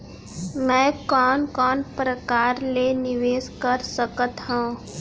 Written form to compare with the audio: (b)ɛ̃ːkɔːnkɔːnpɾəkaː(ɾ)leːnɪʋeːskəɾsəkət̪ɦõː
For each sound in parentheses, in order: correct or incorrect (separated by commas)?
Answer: incorrect, correct